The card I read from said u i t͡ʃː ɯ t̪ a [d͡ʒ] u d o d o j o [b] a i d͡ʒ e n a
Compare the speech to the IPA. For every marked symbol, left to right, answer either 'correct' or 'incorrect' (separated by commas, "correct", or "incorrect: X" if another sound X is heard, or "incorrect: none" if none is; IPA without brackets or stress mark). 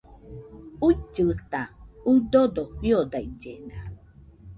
incorrect: none, incorrect: d